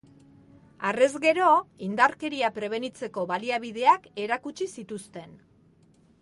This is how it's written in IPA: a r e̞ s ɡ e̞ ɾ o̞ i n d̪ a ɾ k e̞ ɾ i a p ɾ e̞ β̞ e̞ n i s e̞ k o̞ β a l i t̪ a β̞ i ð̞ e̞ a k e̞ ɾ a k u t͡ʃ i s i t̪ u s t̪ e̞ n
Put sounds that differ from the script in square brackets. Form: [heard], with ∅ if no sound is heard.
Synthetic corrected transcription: a r e̞ [z] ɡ e̞ ɾ o̞ i n d̪ a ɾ k e̞ ɾ i a p ɾ e̞ β̞ e̞ n i [t͡s] e̞ k o̞ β a l i [∅] a β̞ i ð̞ e̞ a k e̞ ɾ a k u t͡ʃ i s i t̪ u s t̪ e̞ n